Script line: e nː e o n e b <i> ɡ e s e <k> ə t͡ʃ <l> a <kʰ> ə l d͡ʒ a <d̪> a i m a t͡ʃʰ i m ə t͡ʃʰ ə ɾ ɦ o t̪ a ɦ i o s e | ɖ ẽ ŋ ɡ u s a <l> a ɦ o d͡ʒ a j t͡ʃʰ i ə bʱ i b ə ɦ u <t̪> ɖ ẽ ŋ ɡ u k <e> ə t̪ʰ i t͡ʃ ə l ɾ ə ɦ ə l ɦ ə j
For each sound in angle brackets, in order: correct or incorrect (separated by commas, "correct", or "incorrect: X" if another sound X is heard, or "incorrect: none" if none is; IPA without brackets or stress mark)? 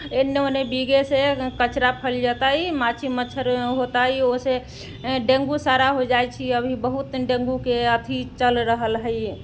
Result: correct, correct, incorrect: ɾ, incorrect: pʰ, incorrect: t̪, incorrect: ɾ, correct, correct